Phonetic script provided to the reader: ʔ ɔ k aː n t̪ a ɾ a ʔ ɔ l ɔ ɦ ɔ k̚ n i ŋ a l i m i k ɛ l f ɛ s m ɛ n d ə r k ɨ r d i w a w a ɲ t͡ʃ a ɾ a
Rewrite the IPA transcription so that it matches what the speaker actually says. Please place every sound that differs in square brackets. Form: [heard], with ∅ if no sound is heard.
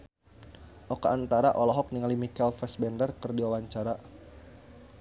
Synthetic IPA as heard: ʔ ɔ k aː n t̪ a ɾ a ʔ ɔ l ɔ ɦ ɔ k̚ n i ŋ a l i m i k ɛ l f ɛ s [b] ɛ n d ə r k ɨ r d i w a w a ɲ t͡ʃ a ɾ a